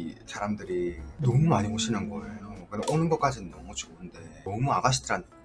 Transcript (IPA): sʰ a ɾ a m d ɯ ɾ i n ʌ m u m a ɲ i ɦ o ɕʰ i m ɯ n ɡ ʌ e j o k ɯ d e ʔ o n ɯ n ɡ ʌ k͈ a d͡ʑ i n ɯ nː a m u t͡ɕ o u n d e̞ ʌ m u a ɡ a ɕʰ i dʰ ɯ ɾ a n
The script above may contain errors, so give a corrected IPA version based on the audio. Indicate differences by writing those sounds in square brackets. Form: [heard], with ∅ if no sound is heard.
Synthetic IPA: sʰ a ɾ a m d ɯ ɾ i n ʌ m u m a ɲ i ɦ o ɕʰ i [n] ɯ n ɡ ʌ e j o k ɯ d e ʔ o n ɯ n ɡ ʌ k͈ a d͡ʑ i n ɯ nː [ʌ] m u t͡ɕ o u n d e̞ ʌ m u a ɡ a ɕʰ i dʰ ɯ ɾ a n